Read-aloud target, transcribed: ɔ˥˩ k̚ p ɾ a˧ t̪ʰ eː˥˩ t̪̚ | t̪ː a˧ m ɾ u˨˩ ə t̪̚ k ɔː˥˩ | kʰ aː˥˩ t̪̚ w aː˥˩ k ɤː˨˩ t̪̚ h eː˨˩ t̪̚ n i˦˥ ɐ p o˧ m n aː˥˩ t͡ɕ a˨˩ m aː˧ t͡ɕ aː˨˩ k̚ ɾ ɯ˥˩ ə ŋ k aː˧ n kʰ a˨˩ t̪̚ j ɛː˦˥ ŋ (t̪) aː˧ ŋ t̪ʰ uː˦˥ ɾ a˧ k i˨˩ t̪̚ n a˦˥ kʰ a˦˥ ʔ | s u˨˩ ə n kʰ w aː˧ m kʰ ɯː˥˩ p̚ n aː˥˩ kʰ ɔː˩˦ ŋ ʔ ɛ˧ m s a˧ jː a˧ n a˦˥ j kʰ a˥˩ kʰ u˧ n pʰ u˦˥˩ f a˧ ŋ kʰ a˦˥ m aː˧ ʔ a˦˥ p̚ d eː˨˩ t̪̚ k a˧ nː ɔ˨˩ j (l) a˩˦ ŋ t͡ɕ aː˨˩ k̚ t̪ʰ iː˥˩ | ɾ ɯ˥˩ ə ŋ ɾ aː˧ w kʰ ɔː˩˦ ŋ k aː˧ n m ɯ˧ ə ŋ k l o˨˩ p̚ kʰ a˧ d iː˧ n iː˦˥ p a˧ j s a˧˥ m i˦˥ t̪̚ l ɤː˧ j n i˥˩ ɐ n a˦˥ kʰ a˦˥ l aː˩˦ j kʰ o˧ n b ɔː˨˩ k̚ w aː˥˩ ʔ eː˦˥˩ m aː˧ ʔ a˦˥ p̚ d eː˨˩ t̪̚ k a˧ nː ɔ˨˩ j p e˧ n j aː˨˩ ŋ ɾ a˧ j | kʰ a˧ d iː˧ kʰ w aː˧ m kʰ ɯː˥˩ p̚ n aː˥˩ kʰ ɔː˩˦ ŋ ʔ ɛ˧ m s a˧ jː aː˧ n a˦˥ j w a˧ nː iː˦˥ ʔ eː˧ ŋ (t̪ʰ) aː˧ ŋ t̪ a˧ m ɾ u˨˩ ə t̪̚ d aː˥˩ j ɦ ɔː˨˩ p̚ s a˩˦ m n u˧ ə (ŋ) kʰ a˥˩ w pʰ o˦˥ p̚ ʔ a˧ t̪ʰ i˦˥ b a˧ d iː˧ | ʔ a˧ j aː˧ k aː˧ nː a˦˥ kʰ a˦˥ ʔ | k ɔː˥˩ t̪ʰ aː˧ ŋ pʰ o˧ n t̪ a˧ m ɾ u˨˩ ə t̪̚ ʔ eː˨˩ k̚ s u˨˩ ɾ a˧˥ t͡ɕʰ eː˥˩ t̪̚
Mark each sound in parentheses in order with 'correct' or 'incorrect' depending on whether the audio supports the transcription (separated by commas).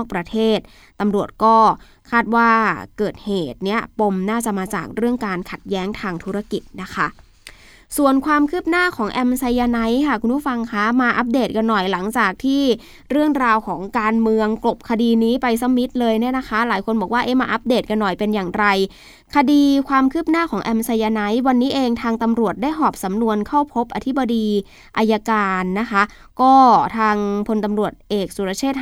incorrect, correct, correct, incorrect